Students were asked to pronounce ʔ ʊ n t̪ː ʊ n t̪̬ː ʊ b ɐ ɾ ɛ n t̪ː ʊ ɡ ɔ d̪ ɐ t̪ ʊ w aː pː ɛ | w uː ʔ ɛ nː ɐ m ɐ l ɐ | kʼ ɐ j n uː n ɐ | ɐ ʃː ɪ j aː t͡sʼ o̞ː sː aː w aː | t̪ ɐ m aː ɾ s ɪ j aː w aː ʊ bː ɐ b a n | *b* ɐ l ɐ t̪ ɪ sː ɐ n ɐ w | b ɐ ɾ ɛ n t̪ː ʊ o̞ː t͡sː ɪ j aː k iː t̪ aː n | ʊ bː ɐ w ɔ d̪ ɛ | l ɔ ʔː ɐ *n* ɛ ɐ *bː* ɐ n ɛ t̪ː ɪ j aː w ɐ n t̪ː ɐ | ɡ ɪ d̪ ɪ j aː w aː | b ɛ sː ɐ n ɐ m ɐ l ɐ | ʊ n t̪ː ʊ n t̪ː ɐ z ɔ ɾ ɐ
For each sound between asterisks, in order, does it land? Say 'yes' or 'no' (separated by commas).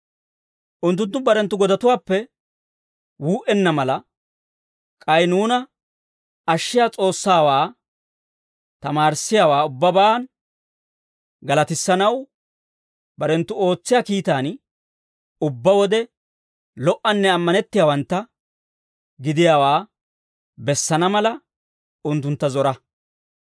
no, no, no